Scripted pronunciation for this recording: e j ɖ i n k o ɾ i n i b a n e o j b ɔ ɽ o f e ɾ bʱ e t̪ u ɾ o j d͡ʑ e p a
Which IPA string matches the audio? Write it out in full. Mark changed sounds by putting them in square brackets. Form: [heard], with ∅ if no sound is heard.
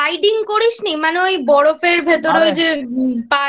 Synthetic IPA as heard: [a] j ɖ i [ŋ] k o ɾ i n i [m] a n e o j b ɔ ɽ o f e ɾ bʱ e t̪ [o] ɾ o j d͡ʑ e p a